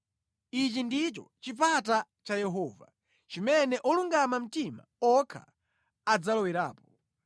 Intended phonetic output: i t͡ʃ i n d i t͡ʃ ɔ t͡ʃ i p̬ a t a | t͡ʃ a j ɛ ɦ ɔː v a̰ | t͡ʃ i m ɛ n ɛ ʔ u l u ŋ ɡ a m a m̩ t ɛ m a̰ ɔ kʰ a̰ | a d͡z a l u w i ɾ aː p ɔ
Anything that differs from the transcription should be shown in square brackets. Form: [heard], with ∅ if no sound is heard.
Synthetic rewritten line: i t͡ʃ i n d i t͡ʃ ɔ t͡ʃ i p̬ a t a | t͡ʃ a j ɛ ɦ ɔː v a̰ | t͡ʃ i m ɛ n ɛ ʔ [ɔ] l u ŋ ɡ a m a m̩ t [i] m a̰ ɔ kʰ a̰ | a d͡z a l [ɔ] w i ɾ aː p ɔ